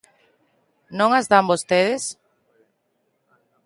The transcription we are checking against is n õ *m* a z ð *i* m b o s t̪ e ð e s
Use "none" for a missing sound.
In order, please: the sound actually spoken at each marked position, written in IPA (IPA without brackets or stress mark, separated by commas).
ŋ, a